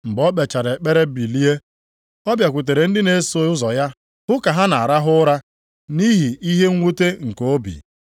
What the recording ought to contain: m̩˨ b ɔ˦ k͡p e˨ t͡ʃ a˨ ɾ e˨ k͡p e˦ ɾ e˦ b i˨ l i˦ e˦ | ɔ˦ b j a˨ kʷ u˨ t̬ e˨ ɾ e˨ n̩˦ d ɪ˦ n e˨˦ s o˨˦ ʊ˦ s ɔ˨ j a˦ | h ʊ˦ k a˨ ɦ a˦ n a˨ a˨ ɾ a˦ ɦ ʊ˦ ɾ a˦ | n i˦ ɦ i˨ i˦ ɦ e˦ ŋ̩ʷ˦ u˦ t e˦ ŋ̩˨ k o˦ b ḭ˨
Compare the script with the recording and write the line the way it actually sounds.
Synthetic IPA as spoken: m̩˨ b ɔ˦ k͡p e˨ t͡ʃ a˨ ɾ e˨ k͡p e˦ ɾ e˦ b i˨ l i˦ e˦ | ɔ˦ b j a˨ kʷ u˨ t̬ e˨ ɾ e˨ n̩˦ d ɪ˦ n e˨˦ s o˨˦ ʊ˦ z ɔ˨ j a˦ | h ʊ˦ k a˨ ɦ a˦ n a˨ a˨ ɾ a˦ ɦ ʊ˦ ɾ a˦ | n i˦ ɦ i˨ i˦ ɦ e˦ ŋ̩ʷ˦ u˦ t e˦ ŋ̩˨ k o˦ b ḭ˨